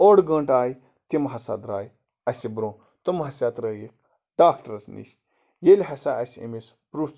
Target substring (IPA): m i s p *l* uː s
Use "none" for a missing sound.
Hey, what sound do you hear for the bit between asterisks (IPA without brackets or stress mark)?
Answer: ɾ